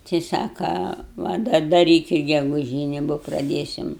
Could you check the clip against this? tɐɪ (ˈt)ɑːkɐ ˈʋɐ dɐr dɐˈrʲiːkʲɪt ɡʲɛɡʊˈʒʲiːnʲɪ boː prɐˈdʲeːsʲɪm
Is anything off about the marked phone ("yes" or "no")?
yes